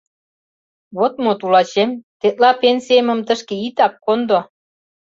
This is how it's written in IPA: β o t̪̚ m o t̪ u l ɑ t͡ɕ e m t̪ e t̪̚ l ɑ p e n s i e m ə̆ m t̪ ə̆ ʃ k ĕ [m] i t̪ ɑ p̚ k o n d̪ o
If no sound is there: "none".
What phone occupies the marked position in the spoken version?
none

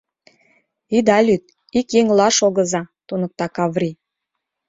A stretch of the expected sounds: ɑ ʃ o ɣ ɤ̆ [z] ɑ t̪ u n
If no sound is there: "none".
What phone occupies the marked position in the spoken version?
z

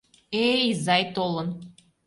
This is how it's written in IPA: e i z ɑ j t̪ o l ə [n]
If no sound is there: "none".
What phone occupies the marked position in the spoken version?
n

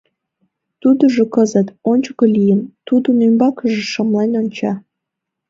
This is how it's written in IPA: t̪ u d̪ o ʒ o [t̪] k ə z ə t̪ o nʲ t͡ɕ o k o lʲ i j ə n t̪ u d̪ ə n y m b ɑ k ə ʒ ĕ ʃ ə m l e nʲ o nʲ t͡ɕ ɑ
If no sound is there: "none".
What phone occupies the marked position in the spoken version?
none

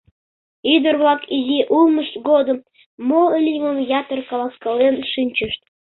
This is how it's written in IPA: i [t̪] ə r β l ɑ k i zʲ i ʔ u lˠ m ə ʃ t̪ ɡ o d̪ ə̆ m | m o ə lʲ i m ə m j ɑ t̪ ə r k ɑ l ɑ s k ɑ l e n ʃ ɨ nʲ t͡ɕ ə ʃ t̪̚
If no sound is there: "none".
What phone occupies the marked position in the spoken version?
d̪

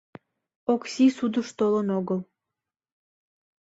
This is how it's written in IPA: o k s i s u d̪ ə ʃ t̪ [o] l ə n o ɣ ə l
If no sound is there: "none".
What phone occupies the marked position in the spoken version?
o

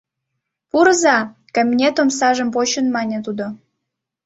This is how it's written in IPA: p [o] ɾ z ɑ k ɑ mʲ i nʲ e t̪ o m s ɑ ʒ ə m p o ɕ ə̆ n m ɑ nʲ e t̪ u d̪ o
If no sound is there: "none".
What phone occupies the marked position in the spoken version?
u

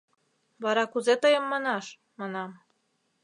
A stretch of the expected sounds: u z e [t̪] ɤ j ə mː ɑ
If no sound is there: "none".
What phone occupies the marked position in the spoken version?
t̪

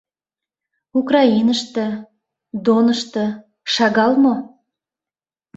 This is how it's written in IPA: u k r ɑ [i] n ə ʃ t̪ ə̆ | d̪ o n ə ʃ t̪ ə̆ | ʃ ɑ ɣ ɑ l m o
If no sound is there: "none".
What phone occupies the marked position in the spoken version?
i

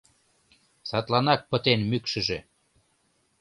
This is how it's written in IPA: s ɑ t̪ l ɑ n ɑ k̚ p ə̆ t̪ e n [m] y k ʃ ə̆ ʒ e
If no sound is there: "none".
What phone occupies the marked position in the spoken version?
m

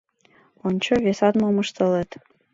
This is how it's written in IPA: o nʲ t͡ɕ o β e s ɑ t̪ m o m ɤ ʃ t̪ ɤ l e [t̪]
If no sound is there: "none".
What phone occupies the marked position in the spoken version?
t̪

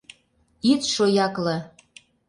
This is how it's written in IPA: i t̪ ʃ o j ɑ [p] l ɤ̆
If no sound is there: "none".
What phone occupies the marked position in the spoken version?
k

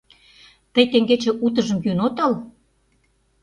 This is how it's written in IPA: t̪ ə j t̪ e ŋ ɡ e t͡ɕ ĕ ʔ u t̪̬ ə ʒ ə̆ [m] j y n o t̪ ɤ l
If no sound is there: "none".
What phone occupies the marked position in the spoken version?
m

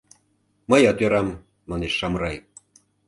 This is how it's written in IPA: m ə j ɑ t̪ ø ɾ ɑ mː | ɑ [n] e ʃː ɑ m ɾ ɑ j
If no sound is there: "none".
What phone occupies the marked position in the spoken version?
n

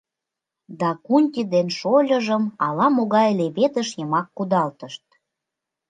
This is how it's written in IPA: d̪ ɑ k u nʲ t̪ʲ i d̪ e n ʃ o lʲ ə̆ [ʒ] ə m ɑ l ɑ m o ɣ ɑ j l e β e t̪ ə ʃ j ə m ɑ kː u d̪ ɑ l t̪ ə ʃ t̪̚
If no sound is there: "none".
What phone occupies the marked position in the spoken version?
ʒ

